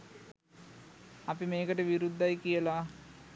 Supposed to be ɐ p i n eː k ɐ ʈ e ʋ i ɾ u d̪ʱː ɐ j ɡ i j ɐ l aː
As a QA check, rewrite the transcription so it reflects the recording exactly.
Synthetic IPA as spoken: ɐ p i m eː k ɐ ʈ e ʋ i ɾ u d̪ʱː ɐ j k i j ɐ l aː